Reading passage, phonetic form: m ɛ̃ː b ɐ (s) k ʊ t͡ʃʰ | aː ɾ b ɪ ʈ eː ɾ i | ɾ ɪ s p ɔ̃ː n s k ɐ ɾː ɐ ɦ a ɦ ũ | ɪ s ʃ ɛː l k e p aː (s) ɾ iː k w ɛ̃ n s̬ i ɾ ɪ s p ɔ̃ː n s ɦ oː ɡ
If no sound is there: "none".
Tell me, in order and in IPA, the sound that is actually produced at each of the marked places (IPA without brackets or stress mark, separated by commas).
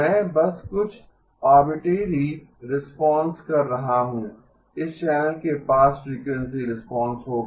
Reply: s, s